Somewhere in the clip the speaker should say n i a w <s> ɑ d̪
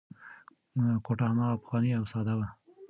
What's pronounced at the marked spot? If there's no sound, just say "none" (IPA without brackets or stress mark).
s